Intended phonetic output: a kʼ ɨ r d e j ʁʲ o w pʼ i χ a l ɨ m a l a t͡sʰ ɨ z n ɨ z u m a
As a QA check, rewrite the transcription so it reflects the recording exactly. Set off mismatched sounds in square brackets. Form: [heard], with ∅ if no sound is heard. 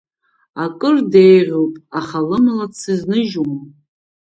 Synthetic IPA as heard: a kʼ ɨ r d e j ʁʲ o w pʼ [a] χ a l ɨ m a l a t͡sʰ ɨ z n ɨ [ʒ] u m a